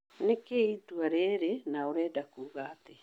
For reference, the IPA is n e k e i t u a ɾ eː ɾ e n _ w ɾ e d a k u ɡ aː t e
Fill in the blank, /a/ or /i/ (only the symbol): a